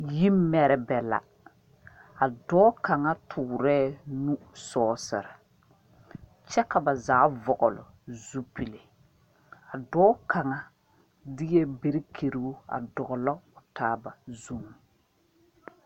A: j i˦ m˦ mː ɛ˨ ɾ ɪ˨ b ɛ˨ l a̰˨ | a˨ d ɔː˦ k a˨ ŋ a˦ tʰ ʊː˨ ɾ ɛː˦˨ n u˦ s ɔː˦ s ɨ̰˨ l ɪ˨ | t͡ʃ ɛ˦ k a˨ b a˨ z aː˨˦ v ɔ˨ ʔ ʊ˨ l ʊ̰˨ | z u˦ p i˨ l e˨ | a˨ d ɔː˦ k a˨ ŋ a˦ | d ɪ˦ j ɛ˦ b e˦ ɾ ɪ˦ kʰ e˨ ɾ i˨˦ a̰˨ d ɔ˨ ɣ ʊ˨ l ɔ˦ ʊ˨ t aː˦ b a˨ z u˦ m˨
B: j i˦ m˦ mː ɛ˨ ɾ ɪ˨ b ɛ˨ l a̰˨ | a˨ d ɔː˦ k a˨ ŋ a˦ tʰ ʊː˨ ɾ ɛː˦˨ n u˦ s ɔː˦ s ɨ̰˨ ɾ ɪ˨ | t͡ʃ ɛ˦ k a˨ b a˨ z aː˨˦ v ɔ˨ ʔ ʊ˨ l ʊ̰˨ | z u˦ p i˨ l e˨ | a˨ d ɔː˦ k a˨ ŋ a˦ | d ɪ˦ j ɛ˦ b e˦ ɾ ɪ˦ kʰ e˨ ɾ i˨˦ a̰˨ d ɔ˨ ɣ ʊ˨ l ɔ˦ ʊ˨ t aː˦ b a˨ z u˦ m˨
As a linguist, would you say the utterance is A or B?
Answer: B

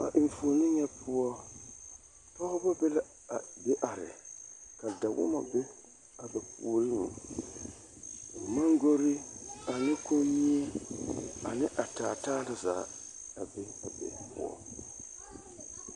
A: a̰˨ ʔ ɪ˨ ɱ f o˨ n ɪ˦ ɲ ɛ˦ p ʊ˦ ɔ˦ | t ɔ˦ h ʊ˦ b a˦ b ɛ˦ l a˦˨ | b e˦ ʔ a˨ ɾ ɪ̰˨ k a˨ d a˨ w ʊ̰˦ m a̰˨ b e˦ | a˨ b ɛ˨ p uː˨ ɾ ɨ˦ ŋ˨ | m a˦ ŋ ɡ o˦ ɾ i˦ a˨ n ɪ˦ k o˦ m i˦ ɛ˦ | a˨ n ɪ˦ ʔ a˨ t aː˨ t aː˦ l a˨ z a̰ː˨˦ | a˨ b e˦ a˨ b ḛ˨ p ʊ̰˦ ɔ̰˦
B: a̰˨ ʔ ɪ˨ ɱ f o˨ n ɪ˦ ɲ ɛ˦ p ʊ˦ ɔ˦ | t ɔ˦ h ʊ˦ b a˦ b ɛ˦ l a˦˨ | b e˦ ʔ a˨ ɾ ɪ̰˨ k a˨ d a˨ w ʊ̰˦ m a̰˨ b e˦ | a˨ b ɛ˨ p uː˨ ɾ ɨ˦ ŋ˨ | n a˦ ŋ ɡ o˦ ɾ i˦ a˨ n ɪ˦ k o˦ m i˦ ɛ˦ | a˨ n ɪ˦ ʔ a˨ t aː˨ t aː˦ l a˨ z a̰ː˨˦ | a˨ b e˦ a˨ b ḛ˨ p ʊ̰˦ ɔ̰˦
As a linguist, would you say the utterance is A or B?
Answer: A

